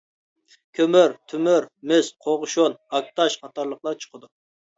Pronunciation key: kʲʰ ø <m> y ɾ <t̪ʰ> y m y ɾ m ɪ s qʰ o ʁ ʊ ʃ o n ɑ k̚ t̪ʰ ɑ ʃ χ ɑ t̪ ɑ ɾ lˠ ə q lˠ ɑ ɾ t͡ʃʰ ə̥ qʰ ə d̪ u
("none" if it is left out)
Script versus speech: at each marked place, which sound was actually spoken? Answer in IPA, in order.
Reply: m, t̪ʰ

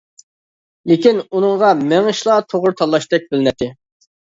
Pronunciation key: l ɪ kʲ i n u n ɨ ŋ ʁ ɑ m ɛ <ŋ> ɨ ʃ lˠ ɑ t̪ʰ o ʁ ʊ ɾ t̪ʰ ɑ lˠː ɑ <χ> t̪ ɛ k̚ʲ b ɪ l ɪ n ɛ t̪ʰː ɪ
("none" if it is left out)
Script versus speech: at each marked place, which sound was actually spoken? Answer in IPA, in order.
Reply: ŋ, ʃ

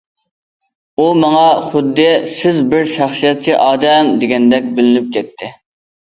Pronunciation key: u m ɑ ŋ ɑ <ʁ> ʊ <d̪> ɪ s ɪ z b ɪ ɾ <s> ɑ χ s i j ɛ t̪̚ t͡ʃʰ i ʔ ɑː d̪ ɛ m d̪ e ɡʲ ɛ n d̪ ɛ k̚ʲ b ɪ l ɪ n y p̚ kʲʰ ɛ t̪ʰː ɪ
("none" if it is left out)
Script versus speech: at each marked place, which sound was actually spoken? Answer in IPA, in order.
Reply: χ, d̪ː, ʃ

